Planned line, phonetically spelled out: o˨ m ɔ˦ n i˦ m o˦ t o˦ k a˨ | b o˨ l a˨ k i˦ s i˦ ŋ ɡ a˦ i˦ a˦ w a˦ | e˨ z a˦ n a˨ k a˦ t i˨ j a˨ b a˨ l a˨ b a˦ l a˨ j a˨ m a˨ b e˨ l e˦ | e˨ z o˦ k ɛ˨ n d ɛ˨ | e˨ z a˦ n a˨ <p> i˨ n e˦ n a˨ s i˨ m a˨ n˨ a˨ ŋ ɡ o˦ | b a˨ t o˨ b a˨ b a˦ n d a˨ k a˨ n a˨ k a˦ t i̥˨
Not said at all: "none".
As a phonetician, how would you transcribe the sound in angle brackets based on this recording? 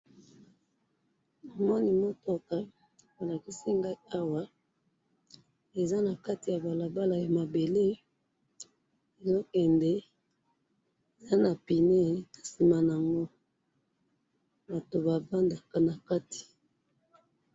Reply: p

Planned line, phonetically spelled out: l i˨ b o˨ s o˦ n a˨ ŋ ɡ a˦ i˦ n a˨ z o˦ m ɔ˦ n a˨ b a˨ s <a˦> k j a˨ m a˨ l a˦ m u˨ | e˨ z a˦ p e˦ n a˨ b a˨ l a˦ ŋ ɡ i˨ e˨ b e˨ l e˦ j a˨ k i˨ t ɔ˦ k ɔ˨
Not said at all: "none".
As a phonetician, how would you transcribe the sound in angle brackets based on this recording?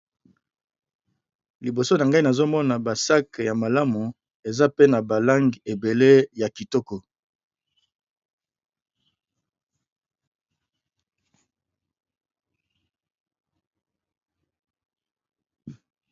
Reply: a˦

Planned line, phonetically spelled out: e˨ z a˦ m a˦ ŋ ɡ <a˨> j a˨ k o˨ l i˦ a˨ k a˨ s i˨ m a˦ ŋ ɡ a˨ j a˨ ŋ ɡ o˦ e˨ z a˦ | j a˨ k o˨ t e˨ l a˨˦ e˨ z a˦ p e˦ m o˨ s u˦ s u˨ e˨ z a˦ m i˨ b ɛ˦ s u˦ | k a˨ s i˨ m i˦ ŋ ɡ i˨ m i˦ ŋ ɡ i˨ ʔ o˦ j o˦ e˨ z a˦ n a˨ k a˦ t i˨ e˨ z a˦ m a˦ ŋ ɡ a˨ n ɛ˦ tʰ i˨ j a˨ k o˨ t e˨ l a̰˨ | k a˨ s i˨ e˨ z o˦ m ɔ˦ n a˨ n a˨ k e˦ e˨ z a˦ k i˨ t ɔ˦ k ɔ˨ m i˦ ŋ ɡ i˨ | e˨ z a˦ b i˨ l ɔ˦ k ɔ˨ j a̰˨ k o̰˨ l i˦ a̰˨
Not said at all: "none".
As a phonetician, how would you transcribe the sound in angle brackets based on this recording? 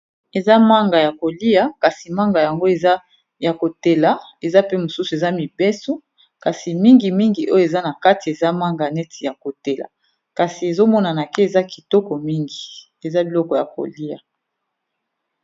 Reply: a˨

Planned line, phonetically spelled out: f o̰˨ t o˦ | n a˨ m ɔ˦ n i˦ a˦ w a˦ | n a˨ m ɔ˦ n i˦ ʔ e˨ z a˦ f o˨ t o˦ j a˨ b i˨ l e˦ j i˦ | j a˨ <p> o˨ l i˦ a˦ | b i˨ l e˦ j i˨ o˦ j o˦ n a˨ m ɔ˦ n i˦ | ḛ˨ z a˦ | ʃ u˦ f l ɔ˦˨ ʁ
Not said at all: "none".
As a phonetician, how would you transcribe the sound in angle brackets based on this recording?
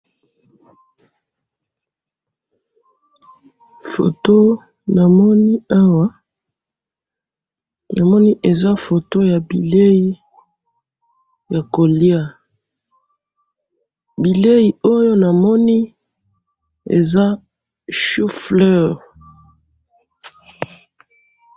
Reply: k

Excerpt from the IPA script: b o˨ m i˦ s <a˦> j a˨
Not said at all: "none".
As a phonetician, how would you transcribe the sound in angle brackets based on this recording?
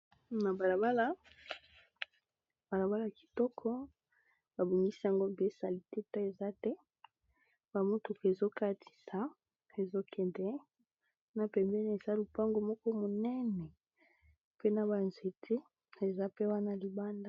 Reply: i˦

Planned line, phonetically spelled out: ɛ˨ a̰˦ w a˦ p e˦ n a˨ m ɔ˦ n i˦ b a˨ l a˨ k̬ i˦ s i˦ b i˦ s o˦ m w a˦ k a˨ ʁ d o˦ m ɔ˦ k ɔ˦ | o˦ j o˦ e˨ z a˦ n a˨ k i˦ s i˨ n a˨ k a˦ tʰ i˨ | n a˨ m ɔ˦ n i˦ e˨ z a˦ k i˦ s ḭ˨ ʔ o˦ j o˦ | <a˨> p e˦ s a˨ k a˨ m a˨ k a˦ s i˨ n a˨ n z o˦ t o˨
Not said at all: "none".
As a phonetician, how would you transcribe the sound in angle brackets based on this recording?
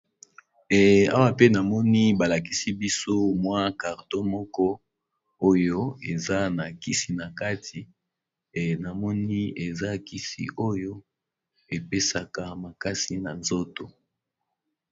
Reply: e˨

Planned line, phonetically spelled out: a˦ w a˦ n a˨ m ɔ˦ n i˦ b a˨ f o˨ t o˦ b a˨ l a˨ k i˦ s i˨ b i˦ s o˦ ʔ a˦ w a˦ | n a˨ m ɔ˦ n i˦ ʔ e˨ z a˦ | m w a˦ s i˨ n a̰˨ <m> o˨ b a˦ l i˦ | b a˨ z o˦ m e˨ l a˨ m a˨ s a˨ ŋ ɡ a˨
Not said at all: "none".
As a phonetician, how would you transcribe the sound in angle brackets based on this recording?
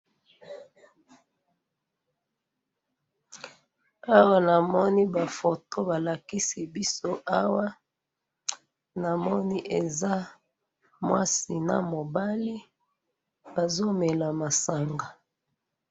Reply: m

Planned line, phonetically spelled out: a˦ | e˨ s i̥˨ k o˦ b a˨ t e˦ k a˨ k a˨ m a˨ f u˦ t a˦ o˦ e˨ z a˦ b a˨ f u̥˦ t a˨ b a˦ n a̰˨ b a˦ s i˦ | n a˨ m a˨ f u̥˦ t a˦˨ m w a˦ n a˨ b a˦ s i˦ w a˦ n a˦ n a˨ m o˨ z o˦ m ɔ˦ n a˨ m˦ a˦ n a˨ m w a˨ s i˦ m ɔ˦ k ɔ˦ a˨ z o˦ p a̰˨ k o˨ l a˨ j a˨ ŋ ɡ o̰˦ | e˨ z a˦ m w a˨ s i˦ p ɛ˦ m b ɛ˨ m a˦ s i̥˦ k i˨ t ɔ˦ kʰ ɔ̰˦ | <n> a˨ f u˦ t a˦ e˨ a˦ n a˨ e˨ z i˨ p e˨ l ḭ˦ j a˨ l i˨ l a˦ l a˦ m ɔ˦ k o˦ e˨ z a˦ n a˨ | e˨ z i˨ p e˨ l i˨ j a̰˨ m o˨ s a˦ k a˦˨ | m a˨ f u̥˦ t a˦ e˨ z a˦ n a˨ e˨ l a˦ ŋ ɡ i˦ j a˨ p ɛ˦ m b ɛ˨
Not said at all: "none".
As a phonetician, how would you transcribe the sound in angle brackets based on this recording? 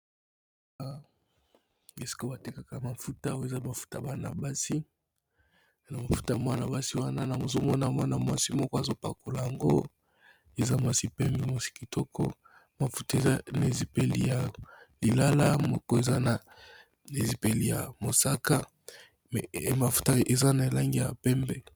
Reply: m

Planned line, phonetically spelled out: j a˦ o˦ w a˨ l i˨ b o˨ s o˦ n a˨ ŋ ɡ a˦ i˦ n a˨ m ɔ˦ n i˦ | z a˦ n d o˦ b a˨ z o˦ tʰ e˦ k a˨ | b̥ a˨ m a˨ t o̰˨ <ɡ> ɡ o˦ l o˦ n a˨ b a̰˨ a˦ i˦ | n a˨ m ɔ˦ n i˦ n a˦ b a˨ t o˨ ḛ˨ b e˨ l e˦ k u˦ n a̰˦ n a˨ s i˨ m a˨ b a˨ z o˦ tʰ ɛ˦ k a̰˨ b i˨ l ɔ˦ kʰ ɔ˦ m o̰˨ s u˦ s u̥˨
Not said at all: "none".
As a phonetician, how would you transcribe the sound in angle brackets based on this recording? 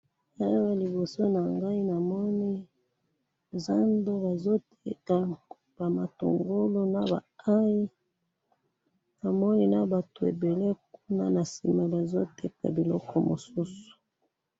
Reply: ŋ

